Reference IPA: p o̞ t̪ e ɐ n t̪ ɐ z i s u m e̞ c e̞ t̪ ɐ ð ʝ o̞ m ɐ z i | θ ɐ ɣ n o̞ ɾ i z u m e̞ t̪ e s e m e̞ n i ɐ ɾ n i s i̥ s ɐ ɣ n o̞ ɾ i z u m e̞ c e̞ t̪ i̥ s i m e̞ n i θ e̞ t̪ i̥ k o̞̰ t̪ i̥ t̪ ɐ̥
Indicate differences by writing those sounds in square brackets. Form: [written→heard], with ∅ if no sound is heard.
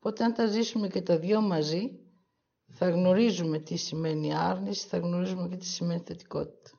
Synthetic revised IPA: p o̞ t̪ e ɐ n t̪ ɐ z i s u m e̞ c e̞ t̪ ɐ ð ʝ o̞ m ɐ z i | θ ɐ ɣ n o̞ ɾ i z u m e̞ t̪ [e→i] s [e→i] m e̞ n i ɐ ɾ n i s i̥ [s→θ] ɐ ɣ n o̞ ɾ i z u m e̞ c e̞ t̪ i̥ s i m e̞ n i θ e̞ t̪ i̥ k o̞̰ t̪ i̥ t̪ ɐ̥